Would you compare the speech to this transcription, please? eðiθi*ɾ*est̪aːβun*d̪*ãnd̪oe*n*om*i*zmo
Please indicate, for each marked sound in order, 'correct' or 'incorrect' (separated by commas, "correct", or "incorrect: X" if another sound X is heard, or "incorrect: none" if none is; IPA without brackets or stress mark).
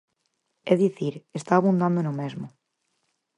correct, correct, correct, incorrect: e